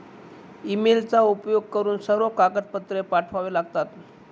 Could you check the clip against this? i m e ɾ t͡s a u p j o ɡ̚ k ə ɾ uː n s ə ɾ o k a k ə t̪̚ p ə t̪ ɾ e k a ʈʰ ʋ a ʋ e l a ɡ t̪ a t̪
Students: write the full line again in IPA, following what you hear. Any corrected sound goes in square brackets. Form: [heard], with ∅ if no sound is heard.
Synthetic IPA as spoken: i m e [l] t͡s a u p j o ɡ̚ k ə ɾ uː n s ə ɾ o k a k ə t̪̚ p ə t̪ ɾ e [p] a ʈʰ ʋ a ʋ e l a ɡ t̪ a t̪